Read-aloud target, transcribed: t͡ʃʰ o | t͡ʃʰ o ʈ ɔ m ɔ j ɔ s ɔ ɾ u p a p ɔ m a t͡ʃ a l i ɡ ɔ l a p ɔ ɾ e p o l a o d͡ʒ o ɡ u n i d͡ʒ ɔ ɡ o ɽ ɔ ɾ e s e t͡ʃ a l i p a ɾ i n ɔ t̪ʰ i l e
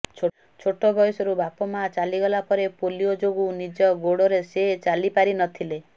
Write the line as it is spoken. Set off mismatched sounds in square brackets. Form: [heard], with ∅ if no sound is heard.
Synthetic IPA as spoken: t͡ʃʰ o | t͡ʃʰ o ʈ ɔ [b] ɔ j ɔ s ɔ ɾ u [b] a p ɔ m a t͡ʃ a l i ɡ ɔ l a p ɔ ɾ e p o l [i] o d͡ʒ o ɡ u n i d͡ʒ ɔ ɡ o ɽ ɔ ɾ e s e t͡ʃ a l i p a ɾ i n ɔ t̪ʰ i l e